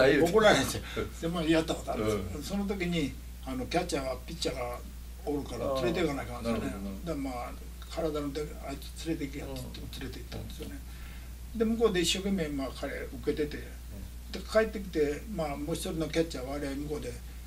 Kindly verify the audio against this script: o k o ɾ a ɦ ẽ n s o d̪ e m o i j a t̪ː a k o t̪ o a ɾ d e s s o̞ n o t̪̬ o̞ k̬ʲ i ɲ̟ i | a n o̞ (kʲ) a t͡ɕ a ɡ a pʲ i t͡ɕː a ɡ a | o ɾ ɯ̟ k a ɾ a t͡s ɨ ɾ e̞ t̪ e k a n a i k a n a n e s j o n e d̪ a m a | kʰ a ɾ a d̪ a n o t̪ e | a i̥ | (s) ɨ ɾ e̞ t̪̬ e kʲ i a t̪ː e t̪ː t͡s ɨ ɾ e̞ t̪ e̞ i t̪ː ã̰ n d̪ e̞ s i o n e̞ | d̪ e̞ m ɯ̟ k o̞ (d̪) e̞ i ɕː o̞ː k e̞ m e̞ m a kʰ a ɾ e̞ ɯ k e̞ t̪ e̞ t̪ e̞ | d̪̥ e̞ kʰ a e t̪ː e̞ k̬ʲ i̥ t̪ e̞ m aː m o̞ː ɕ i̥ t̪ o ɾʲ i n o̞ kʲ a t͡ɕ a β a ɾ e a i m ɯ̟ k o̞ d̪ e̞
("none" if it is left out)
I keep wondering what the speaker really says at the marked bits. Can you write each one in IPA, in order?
kʲ, t͡s, d̪

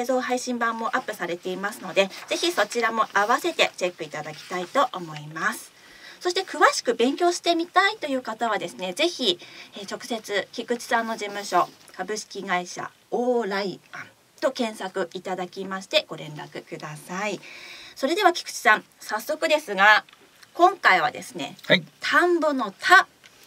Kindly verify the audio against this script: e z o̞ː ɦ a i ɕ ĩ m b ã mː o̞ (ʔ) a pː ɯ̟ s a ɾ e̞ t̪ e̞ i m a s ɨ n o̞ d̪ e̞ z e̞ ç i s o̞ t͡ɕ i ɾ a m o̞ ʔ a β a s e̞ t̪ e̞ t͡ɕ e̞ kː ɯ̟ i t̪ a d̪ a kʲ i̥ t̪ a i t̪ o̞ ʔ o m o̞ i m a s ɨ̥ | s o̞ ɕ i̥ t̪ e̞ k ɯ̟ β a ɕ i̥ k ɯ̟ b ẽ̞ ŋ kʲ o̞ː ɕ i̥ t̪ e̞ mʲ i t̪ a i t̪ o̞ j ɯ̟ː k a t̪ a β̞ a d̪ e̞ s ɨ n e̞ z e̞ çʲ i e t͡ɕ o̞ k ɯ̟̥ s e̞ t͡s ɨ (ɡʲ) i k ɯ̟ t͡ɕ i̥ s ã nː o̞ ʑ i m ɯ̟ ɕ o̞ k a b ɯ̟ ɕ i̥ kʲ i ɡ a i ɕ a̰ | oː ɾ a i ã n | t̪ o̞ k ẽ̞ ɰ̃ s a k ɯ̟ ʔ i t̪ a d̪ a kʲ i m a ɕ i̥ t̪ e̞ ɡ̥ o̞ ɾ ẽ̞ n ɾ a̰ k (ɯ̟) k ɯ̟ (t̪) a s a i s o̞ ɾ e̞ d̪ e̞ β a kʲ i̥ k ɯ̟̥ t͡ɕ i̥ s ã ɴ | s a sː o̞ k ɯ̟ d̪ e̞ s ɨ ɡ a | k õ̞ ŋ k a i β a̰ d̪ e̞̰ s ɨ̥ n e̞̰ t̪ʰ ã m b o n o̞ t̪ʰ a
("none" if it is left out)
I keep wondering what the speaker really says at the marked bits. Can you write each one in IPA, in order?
ʔ, kʲ, ɯ̟, d̪

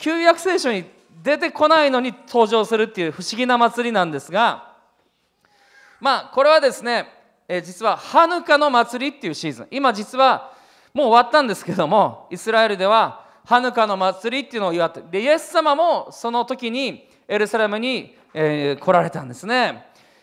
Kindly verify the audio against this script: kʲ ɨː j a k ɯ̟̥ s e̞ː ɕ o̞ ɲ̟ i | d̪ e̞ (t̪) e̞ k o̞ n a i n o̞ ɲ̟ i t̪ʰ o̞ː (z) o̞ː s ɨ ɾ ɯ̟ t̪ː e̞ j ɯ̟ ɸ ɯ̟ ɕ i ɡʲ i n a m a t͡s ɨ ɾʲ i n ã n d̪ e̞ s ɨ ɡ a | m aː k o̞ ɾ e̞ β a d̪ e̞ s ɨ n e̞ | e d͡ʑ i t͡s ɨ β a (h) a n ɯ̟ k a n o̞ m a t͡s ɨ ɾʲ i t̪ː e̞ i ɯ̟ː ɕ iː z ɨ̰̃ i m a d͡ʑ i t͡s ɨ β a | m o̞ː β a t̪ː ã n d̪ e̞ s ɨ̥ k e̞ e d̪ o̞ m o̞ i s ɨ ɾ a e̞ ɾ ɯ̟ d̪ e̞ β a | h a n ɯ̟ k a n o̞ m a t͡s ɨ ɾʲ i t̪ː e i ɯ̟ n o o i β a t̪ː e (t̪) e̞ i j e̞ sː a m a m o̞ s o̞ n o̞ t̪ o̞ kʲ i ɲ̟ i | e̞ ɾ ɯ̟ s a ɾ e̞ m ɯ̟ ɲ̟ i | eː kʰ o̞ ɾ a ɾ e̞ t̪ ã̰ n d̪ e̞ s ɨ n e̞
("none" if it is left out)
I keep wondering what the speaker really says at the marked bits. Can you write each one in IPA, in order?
t̪, ʑ, h, d̪

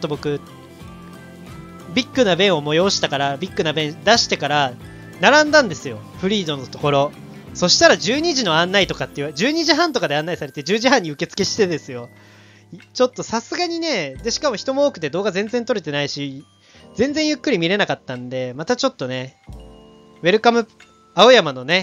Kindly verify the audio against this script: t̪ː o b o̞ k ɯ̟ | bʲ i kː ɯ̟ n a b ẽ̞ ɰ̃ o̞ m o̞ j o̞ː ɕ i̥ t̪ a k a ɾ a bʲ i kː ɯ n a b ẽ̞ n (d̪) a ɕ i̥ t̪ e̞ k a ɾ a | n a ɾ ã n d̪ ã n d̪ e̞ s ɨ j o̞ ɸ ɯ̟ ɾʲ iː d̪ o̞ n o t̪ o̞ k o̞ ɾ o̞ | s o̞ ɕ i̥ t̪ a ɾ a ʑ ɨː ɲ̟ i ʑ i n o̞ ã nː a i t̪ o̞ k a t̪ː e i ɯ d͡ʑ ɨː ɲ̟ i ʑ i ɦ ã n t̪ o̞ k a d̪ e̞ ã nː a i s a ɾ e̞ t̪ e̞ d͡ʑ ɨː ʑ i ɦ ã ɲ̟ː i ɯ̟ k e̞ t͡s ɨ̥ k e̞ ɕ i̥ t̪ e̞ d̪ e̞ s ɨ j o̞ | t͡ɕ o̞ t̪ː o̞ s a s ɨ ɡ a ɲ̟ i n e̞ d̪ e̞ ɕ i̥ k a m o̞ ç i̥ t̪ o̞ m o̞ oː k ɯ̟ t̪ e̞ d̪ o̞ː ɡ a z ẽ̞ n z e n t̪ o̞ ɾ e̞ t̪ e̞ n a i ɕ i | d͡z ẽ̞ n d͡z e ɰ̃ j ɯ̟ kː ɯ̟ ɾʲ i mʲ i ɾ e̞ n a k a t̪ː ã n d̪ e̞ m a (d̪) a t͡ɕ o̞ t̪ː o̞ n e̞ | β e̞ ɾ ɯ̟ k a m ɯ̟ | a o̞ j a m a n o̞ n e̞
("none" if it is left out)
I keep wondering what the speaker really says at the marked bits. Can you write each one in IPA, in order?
d̪, t̪

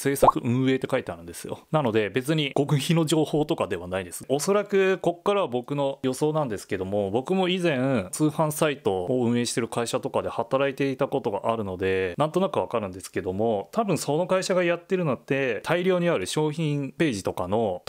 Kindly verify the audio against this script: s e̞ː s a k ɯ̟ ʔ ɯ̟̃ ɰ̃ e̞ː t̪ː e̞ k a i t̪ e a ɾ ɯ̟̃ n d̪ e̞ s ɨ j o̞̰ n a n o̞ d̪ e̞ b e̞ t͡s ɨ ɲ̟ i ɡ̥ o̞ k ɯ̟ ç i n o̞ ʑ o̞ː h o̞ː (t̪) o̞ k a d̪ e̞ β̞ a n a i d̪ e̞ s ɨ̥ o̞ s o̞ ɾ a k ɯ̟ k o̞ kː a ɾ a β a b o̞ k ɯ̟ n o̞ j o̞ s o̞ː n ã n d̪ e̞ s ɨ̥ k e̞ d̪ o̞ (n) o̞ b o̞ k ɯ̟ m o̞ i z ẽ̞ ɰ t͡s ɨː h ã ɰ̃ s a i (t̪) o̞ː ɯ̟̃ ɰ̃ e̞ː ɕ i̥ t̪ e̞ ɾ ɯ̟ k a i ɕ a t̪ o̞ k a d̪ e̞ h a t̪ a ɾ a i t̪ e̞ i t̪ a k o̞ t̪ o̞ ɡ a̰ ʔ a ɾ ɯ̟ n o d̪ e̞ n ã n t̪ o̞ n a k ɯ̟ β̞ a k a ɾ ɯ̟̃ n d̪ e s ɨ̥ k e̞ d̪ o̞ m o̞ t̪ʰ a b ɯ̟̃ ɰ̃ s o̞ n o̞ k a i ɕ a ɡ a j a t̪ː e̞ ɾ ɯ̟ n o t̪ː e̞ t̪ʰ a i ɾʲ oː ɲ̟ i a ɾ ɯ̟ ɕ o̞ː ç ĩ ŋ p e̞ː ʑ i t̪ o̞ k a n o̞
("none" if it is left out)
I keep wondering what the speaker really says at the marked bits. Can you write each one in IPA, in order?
t̪, m, t̪

